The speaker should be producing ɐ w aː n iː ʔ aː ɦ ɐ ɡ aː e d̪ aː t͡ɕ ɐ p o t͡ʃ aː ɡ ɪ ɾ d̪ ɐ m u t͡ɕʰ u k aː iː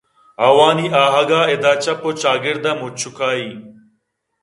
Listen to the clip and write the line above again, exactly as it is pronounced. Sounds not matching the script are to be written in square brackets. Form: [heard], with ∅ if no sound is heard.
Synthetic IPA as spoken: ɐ w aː n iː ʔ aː ɦ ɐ ɡ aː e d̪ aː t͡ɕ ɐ p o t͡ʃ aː ɡ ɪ ɾ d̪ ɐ m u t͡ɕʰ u k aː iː